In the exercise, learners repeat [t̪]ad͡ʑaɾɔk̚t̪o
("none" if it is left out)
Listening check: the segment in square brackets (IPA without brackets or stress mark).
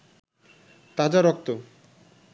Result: t̪